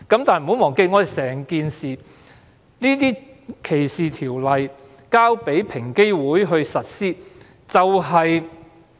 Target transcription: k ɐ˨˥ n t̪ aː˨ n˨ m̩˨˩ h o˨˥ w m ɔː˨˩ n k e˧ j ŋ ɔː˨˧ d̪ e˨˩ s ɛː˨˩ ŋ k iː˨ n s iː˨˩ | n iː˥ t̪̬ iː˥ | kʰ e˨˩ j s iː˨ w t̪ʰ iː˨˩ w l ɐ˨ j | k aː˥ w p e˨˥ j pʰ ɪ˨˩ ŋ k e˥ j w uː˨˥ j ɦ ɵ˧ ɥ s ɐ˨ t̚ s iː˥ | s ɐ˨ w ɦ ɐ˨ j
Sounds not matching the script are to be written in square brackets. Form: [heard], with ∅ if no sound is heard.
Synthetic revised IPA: k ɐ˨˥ [m] t̪ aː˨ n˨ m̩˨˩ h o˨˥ w m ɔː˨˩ [ŋ] k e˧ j ŋ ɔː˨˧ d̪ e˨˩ s ɛː˨˩ ŋ k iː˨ n s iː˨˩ | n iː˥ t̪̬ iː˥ | kʰ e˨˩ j s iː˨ [∅] t̪ʰ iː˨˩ w l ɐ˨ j | k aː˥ w p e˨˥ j pʰ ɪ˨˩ ŋ k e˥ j w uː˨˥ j ɦ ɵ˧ ɥ s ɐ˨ t̚ s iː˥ | [t͡s] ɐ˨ w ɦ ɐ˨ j